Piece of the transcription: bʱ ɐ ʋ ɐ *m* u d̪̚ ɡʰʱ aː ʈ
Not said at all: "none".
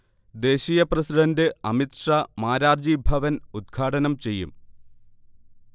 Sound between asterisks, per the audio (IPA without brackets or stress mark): n